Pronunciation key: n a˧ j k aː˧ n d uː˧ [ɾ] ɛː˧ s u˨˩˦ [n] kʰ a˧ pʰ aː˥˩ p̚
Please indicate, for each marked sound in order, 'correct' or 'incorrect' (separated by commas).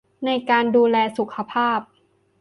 incorrect, incorrect